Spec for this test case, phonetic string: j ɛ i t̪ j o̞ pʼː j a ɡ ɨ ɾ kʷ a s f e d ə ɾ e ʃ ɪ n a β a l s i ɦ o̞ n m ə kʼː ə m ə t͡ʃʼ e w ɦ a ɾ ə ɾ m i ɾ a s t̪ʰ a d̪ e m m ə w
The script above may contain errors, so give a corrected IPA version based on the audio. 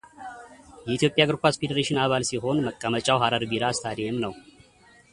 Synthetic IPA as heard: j ɛ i t̪ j o̞ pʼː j a ɡ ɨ ɾ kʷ a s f e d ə ɾ e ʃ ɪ n a β a l s i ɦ o̞ n m ə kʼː ə m ə t͡ʃʼ a w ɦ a ɾ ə ɾ b i ɾ a s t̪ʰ a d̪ e m n ə w